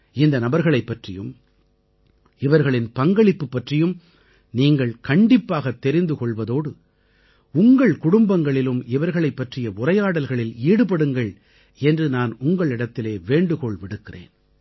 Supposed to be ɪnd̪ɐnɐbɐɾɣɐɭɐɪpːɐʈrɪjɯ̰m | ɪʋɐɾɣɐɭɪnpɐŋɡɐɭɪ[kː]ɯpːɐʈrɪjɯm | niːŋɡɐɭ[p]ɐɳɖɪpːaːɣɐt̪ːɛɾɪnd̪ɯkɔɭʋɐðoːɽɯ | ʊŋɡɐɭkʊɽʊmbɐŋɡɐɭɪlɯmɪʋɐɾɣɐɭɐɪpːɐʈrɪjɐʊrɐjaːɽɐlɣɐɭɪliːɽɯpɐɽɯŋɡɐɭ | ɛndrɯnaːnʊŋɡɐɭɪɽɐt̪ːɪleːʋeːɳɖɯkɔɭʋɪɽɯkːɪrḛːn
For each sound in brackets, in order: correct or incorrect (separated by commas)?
incorrect, incorrect